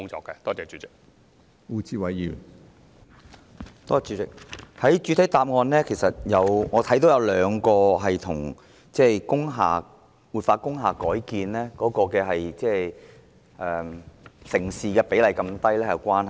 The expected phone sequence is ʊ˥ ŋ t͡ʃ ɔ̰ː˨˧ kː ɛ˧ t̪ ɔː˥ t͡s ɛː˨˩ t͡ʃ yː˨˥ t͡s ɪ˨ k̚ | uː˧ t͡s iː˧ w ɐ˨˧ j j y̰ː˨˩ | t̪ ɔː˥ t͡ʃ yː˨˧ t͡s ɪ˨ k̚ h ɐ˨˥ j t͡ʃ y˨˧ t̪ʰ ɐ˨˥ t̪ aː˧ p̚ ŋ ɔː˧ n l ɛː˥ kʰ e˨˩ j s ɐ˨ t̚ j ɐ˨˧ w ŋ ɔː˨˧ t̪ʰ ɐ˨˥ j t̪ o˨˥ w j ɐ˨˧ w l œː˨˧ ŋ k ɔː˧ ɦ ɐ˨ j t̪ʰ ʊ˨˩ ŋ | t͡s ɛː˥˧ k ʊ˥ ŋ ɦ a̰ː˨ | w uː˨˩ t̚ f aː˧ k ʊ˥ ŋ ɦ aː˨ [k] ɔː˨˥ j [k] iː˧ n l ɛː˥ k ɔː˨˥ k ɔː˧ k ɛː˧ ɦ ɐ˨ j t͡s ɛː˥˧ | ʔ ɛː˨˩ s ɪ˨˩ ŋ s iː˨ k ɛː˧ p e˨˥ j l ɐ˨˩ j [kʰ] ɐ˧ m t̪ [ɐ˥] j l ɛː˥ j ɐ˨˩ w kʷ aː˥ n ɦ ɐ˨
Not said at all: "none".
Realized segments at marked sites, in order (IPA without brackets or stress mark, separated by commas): k, k, k, ɐ˥